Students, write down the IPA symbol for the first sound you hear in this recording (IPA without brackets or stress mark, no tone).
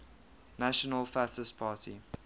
n